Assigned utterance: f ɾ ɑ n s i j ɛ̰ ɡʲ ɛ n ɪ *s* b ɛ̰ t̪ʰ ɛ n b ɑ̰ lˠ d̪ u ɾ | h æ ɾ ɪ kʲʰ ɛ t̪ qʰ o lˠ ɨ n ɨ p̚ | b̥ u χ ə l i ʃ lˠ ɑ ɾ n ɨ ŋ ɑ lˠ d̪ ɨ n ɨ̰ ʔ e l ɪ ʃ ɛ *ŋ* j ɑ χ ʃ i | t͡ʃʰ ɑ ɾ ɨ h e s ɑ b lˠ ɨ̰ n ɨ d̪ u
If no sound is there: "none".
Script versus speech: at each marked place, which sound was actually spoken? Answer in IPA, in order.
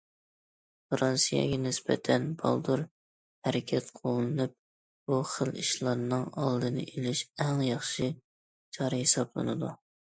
s, ŋ

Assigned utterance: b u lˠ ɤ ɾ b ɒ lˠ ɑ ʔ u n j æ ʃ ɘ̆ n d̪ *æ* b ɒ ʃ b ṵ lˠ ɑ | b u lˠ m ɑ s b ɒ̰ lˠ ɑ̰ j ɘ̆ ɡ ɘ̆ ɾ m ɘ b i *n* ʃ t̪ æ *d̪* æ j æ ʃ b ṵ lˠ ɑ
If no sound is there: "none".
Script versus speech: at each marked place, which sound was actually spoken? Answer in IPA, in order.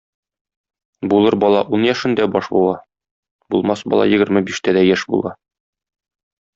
æ, none, d̪

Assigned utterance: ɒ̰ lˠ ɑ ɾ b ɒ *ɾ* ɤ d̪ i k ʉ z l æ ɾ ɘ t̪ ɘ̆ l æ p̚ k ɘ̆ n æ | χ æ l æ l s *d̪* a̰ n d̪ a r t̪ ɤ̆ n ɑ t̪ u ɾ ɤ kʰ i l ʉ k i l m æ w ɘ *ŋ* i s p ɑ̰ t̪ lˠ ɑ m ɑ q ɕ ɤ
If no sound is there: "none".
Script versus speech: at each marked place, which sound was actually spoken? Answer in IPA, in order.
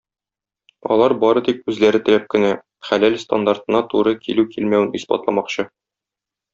ɾ, t̪, n

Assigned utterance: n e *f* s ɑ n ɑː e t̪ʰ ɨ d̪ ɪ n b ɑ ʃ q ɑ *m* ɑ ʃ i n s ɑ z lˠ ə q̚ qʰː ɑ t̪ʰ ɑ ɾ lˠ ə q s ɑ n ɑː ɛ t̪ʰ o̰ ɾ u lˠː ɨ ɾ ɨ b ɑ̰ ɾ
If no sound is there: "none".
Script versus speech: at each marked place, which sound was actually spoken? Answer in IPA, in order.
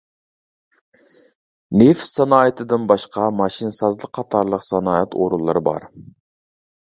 f, m

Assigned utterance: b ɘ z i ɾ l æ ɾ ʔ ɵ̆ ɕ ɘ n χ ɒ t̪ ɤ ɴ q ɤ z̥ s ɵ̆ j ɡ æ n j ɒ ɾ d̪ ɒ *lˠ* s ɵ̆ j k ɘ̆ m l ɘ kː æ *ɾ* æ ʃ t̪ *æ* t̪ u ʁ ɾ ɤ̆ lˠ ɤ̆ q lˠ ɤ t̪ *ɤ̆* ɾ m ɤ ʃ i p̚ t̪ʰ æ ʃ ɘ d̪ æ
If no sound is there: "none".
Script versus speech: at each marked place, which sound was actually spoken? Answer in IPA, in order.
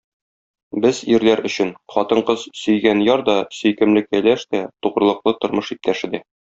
none, l, æ, ŏ

